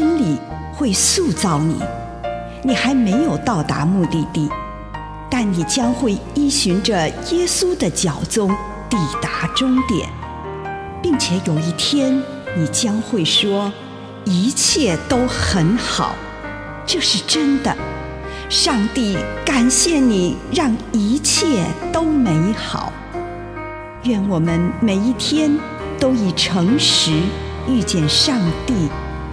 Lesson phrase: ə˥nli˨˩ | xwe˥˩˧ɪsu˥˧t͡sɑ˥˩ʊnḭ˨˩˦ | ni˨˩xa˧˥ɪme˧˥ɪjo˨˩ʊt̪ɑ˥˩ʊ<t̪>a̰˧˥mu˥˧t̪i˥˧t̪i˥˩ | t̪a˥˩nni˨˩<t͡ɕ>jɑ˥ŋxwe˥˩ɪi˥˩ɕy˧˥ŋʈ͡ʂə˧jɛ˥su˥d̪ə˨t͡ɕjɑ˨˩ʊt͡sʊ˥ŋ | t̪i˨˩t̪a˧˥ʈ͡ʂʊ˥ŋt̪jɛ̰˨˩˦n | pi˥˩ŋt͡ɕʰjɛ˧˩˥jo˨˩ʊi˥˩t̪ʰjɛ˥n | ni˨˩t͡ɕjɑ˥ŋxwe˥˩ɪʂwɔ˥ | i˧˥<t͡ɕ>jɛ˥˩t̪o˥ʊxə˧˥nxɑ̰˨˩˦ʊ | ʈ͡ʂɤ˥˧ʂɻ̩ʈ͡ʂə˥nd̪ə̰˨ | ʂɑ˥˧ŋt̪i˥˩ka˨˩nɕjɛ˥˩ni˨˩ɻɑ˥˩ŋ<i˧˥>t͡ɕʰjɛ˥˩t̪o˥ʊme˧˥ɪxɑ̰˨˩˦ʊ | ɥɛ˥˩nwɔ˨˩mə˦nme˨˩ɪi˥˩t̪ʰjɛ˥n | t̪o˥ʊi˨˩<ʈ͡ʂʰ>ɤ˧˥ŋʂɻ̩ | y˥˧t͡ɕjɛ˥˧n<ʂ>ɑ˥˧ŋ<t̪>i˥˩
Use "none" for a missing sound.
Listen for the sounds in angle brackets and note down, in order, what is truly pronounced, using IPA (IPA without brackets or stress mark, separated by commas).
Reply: t̪, t͡ɕ, t͡ɕʰ, i˧˥, ʈ͡ʂʰ, ʂ, t̪